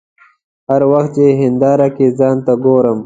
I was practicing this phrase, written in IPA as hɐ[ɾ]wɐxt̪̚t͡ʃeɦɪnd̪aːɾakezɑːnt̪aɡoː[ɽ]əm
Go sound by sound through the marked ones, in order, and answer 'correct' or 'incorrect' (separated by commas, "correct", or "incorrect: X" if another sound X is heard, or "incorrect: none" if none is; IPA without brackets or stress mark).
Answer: correct, incorrect: ɾ